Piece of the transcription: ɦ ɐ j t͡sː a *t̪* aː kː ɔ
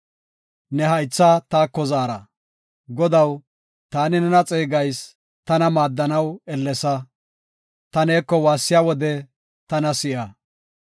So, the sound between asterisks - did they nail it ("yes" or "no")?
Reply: yes